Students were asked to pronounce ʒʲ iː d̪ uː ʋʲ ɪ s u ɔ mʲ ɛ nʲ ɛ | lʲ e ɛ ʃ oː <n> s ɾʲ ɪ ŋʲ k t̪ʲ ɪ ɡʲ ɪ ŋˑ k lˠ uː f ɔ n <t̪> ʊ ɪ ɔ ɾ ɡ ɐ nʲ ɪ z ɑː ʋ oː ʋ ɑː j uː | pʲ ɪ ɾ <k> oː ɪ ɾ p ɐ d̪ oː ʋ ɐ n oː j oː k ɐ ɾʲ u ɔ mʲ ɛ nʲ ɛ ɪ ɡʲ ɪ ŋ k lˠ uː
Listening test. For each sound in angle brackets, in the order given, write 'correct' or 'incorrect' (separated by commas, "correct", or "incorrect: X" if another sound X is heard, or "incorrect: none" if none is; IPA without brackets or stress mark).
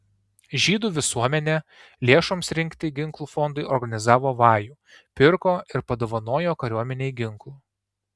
incorrect: m, incorrect: d̪, correct